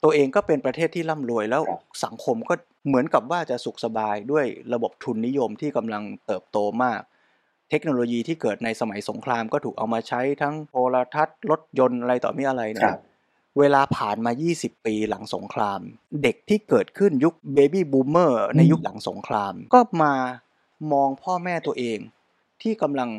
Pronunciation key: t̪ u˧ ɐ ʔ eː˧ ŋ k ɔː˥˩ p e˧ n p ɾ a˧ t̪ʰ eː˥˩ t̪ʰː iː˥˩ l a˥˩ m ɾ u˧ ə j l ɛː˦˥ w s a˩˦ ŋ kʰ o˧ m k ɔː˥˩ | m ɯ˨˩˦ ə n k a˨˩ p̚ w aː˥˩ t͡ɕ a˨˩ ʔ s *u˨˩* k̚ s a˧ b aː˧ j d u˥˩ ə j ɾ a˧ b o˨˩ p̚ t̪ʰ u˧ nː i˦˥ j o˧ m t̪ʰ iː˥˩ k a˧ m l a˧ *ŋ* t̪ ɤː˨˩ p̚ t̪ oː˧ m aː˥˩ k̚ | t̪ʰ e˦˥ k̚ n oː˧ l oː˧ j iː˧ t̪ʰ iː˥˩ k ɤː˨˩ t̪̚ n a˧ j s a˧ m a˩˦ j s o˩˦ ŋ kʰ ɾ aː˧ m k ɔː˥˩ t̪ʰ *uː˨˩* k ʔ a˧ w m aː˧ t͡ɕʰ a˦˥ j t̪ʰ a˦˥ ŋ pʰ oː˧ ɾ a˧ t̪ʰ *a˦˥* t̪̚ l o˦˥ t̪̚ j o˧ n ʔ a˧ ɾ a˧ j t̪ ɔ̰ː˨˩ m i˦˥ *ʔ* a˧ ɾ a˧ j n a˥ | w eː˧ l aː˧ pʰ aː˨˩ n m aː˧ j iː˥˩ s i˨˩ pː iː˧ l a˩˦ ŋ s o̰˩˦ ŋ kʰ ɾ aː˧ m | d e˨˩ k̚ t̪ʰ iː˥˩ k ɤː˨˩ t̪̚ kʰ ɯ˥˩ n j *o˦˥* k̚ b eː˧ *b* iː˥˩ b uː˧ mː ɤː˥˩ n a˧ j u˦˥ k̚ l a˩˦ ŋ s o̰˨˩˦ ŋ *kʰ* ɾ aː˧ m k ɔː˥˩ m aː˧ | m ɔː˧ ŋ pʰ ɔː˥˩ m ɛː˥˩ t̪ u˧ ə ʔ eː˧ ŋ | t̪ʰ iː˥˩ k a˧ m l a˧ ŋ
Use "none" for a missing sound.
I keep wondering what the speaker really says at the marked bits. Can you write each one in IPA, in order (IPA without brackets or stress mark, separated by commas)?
u˨˩, ŋ, uː˨˩, a˦˥, ʔ, u˦˥, b, kʰ